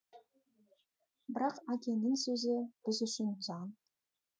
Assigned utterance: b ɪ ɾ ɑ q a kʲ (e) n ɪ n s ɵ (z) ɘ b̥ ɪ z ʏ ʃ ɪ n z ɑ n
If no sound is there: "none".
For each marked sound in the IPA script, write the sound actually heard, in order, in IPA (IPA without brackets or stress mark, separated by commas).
e, z